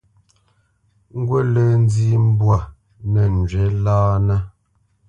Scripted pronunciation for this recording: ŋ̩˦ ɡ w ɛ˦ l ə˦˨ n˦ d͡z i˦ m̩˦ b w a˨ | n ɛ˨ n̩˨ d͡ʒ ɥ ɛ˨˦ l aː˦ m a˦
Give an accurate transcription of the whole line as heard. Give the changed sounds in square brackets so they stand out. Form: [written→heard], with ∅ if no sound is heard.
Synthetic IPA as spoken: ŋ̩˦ ɡ w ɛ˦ l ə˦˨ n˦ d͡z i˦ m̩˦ b w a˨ | n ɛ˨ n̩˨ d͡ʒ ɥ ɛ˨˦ l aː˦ [m→n] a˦